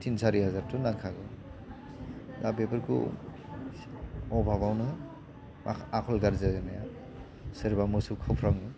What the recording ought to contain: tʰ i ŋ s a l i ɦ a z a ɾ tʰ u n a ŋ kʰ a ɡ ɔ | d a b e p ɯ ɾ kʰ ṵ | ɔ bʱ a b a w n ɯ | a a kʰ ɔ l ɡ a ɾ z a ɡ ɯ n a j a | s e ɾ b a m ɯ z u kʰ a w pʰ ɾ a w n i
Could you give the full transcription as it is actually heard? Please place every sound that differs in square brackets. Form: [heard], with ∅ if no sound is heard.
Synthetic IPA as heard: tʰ i [n] s a [ɾ] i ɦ a z a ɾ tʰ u n a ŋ kʰ a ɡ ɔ | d a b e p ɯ ɾ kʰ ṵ | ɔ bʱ a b a w n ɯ | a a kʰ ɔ l ɡ a ɾ z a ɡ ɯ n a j a | s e ɾ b a m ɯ [s] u kʰ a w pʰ ɾ a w n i